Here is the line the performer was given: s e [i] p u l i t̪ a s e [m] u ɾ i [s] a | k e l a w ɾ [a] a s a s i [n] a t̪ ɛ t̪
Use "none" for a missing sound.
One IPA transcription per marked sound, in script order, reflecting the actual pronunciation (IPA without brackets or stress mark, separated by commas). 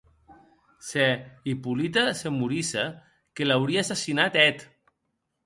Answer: i, m, s, i, n